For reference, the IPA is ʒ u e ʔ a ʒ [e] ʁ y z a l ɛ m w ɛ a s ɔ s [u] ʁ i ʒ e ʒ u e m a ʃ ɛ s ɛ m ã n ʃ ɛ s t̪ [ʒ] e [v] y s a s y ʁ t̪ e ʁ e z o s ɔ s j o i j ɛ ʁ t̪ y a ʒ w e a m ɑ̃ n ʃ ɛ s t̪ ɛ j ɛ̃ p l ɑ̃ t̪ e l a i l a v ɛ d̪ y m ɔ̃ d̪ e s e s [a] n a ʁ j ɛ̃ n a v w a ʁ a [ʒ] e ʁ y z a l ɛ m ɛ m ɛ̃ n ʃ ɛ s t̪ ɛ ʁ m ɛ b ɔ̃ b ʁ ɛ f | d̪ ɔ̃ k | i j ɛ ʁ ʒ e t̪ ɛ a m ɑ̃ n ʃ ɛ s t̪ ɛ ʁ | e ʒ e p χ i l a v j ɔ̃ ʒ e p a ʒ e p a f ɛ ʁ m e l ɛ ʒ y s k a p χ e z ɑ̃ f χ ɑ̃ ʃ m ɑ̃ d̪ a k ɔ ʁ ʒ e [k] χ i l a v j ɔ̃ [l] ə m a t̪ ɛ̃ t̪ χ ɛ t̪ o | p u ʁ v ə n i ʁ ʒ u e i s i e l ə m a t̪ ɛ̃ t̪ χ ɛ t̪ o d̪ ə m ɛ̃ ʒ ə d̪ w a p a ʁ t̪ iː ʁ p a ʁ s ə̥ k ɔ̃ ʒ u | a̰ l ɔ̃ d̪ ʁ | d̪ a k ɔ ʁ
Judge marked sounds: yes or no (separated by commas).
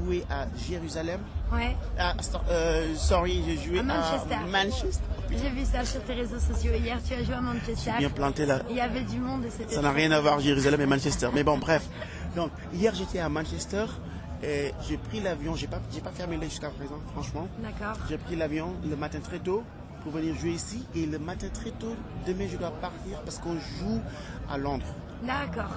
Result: yes, no, yes, yes, yes, yes, no, yes